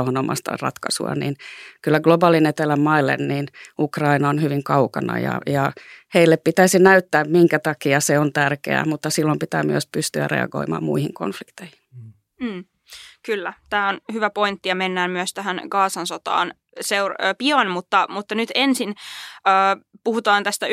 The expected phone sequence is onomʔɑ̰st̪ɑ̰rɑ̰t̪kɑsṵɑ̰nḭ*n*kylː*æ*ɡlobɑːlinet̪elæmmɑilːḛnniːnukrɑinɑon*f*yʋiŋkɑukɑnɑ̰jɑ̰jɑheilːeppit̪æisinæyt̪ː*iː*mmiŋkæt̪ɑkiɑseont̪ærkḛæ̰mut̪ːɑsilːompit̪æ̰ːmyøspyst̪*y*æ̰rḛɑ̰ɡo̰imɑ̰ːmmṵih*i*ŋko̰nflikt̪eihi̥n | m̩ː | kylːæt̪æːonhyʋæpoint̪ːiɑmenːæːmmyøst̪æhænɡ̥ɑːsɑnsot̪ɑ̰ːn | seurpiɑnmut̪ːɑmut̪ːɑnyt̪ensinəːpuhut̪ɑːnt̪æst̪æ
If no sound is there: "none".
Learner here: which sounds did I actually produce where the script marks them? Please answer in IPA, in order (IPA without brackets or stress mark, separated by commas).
n, æ, h, æː, y, i